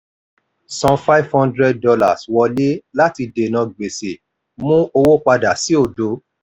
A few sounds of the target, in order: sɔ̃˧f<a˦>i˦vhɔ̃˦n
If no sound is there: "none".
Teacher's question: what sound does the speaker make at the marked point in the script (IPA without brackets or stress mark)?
a˦